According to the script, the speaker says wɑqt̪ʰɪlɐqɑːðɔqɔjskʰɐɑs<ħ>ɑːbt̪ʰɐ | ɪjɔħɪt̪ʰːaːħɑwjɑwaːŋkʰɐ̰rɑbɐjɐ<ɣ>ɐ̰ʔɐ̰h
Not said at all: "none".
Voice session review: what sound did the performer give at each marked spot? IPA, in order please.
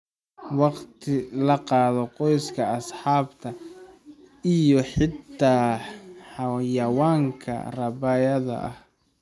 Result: ħ, ð

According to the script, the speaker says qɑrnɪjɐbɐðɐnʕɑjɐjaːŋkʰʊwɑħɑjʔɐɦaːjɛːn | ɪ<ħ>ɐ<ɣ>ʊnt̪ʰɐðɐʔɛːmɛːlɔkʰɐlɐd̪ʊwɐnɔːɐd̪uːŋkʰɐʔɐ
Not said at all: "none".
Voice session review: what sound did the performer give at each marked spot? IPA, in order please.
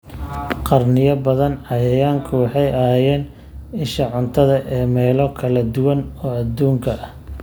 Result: ʃ, ʕ

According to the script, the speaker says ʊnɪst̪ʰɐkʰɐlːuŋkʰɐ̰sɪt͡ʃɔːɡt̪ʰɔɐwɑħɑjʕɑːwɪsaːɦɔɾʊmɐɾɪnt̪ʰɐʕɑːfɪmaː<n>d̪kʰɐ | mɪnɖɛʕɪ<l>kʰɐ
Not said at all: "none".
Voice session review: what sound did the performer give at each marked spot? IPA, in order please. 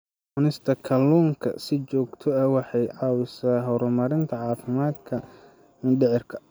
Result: none, r

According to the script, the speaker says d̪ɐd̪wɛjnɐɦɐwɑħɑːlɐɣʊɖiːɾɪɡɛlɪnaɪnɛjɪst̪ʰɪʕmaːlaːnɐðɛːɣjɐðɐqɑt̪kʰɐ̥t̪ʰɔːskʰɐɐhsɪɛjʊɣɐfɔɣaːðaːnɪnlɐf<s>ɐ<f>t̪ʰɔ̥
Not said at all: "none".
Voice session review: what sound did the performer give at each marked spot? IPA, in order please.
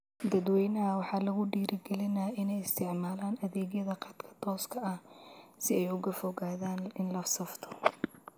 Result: s, f

